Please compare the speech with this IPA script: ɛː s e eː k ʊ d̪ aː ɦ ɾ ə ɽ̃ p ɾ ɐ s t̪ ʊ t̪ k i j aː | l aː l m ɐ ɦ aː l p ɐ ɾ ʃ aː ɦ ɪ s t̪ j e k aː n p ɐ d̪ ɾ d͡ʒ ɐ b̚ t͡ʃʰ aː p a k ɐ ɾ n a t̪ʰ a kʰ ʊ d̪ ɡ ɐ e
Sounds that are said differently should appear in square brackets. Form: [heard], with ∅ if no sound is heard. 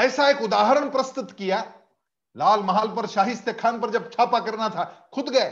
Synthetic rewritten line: ɛː s [a] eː k ʊ d̪ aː ɦ ɾ ə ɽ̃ p ɾ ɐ s t̪ ʊ t̪ k i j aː | l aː l m ɐ ɦ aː l p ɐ ɾ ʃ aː ɦ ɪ s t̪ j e [kʰ] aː n p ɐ [∅] ɾ d͡ʒ ɐ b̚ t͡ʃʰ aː p a k ɐ ɾ n a t̪ʰ a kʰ ʊ d̪ ɡ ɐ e